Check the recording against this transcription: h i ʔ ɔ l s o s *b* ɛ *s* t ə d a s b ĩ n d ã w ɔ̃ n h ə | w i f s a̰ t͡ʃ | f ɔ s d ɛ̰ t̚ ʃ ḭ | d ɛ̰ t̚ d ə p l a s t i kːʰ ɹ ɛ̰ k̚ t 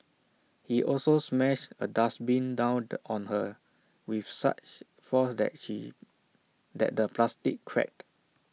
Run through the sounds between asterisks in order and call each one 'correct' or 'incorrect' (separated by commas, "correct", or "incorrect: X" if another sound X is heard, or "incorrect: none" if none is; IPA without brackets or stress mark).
incorrect: m, incorrect: ʃ